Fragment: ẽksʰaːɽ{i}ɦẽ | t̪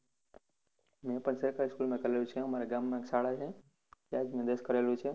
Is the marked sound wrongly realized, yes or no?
yes